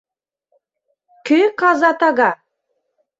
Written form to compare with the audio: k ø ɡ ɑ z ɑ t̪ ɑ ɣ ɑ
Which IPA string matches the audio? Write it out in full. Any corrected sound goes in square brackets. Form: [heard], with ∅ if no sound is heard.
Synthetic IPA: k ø [k] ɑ z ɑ t̪ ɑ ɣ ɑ